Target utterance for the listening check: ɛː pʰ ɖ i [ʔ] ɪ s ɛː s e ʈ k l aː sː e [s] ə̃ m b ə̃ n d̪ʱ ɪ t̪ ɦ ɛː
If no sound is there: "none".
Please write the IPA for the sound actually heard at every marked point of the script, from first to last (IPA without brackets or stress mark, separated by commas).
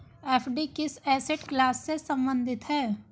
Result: k, s